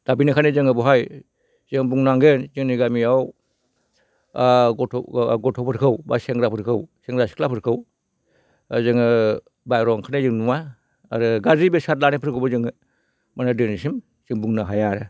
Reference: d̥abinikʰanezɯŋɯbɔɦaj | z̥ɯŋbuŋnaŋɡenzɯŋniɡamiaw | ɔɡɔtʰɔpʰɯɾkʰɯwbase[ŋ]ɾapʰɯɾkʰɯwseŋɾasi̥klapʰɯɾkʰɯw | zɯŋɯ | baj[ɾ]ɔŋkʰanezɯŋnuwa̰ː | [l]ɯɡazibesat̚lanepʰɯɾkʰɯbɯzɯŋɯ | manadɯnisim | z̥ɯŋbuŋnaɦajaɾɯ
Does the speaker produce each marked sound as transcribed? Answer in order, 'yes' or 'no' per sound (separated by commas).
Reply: yes, yes, no